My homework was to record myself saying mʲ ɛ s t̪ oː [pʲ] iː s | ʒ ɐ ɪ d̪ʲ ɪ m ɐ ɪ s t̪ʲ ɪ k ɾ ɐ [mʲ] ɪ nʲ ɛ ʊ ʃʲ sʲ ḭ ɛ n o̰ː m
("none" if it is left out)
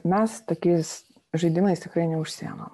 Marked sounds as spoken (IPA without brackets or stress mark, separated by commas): kʲ, none